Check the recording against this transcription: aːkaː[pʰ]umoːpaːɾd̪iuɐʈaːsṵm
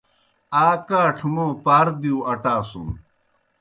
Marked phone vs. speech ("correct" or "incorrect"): incorrect